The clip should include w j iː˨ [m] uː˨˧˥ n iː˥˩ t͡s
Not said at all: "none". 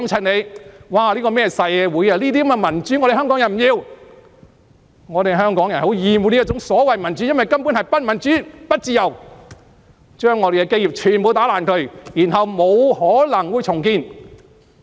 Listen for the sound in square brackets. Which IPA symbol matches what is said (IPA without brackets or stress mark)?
m